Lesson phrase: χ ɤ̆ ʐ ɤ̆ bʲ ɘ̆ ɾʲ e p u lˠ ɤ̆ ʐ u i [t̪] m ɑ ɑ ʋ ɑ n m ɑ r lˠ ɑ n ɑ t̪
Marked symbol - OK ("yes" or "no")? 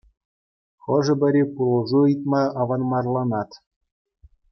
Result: yes